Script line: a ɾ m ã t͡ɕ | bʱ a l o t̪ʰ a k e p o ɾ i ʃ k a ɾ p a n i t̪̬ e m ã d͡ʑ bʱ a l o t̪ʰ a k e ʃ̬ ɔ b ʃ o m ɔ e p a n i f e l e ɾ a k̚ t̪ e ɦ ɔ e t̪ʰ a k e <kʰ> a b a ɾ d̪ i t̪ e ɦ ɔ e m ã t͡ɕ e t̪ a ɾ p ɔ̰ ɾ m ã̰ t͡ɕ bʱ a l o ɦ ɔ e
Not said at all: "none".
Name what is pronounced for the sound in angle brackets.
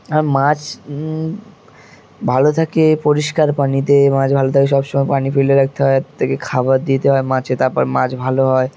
kʰ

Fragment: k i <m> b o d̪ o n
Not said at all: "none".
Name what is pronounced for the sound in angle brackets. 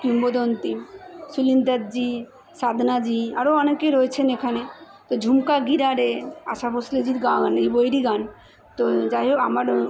m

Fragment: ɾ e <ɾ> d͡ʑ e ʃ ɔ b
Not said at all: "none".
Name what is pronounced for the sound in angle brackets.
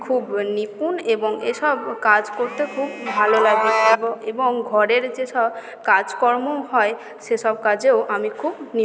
ɾ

